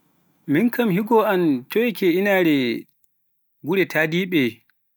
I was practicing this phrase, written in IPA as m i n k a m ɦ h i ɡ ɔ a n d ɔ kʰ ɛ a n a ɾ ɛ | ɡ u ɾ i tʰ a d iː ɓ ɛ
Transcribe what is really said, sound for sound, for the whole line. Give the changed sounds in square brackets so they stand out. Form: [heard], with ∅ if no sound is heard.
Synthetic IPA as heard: m i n k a m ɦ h i ɡ ɔ a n [t] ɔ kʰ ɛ [i] n a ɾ ɛ | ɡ u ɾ [ɛ] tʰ a d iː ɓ ɛ

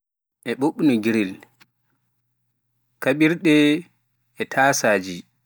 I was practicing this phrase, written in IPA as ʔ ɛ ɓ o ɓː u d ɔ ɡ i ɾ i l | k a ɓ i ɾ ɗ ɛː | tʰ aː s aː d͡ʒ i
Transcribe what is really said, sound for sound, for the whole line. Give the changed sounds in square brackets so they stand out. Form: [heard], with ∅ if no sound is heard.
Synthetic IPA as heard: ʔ ɛ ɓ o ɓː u [n] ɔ ɡ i ɾ i l | k a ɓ i ɾ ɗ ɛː | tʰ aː s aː d͡ʒ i

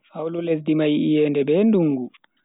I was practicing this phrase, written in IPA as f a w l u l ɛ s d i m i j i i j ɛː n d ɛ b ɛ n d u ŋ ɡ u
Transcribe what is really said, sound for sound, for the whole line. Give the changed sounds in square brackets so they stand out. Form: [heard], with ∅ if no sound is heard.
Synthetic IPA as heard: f a w l u l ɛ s d i m [a] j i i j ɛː n d ɛ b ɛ n d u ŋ ɡ u

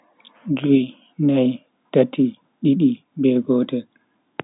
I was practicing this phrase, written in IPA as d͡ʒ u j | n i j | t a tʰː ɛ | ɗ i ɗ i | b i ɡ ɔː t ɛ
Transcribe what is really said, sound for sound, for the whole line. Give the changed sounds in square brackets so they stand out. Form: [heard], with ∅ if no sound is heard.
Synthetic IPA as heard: d͡ʒ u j | n [a] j | t a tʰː [i] | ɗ i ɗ i | b [ɛ] ɡ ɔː t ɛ

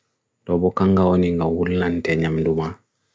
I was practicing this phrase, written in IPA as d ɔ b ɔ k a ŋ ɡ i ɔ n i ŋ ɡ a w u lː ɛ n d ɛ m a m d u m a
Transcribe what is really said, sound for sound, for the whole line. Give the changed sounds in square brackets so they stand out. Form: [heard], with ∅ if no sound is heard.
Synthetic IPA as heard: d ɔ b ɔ k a ŋ ɡ [a] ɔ n i ŋ ɡ a w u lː [a] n [t] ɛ [ɲ] a m d u m a

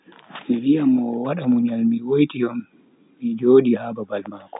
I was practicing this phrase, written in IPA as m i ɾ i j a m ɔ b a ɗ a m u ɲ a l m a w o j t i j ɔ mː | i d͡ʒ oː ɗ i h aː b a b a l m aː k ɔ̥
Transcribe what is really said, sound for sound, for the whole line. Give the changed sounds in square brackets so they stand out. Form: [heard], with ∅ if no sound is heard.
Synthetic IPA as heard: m i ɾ i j a m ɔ [w] a ɗ a m u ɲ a l m [i] w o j t i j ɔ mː | i d͡ʒ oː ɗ i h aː b a b a l m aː k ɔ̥

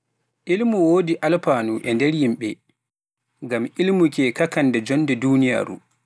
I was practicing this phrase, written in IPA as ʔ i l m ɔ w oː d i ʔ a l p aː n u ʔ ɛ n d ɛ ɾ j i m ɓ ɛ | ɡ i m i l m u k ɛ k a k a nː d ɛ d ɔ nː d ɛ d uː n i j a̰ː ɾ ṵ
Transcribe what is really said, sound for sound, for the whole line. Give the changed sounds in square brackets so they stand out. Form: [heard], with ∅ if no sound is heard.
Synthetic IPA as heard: ʔ i l m [u] w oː d i ʔ a l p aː n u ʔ ɛ n d ɛ ɾ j i m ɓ ɛ | ɡ [a] m i l m u k ɛ k a k a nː d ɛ [d͡ʒ] ɔ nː d ɛ d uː n i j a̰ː ɾ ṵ

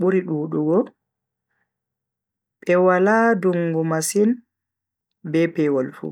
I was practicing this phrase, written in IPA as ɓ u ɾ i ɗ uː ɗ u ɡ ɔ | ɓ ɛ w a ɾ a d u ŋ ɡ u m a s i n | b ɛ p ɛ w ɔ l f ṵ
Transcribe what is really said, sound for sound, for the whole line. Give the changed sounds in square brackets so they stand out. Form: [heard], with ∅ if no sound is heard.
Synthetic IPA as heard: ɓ u ɾ i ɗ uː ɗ u ɡ ɔ | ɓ ɛ w a [l] a d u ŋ ɡ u m a s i n | b ɛ p ɛ w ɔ l f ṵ

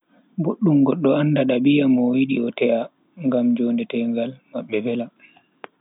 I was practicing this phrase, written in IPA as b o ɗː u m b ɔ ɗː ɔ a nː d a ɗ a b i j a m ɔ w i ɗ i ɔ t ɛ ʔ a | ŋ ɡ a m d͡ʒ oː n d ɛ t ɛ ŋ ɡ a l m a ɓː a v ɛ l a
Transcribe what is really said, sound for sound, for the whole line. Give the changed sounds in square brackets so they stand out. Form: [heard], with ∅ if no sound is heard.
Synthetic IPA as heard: b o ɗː u m [ɡ] ɔ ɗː ɔ a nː d a ɗ a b i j a m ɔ w i ɗ i ɔ t ɛ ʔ a | ŋ ɡ a m d͡ʒ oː n d ɛ t ɛ ŋ ɡ a l m a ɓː [ɛ] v ɛ l a

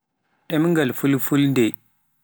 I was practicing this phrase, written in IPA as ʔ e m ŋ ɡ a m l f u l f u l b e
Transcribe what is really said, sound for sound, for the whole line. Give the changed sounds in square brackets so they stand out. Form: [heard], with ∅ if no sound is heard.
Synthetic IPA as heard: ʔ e m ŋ ɡ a [∅] l f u l f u l [d] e

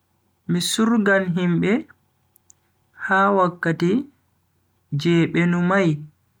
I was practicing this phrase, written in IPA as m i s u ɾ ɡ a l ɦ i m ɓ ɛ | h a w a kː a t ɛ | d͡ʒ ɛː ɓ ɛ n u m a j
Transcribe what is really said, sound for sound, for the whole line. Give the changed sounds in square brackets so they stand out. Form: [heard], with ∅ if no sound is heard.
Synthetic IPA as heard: m i s u ɾ ɡ a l ɦ i m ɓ ɛ | h a w a kː a t [i] | d͡ʒ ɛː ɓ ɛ n u m a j

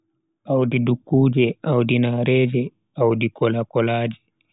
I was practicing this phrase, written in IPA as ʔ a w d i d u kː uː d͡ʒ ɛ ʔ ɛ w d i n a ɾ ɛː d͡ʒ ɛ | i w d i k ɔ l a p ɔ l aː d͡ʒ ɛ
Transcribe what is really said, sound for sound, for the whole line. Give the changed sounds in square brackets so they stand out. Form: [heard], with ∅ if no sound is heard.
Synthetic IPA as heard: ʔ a w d i d u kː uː d͡ʒ ɛ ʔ [a] w d i n a ɾ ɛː d͡ʒ ɛ | [a] w d i k ɔ l a [k] ɔ l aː d͡ʒ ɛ

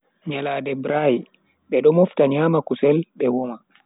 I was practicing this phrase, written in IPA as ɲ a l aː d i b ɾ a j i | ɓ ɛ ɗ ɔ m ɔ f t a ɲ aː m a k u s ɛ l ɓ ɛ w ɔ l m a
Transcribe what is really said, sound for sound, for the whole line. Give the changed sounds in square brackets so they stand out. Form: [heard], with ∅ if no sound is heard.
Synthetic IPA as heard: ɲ a l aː d [ɛ] b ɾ a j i | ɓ ɛ ɗ ɔ m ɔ f t a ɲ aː m a k u s ɛ l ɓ ɛ w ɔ [∅] m a

